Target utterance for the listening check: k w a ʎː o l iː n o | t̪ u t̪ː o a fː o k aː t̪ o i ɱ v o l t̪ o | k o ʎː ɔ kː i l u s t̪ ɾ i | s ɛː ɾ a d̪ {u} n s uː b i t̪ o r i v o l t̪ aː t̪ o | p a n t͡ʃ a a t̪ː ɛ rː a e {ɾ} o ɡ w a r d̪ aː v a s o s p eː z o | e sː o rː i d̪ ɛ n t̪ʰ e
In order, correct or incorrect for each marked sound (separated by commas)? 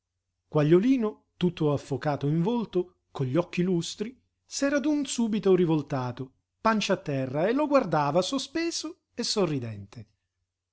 correct, incorrect